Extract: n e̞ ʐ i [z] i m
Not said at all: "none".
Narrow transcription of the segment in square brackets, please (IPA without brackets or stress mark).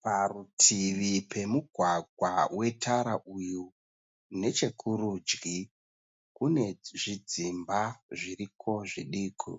d͡z